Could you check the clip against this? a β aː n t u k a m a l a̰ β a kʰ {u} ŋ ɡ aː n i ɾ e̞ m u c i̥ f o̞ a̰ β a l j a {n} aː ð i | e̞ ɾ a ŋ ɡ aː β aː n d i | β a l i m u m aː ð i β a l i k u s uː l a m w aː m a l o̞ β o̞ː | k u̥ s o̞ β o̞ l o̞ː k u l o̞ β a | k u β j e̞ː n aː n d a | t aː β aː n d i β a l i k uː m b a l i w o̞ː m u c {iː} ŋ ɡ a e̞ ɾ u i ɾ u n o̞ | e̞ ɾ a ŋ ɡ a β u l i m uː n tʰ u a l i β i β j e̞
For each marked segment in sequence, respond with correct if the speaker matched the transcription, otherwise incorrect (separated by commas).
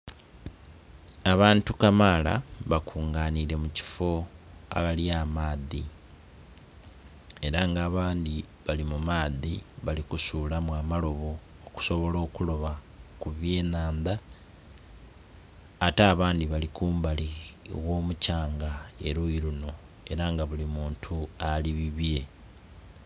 incorrect, incorrect, incorrect